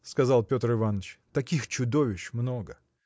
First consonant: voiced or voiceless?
voiceless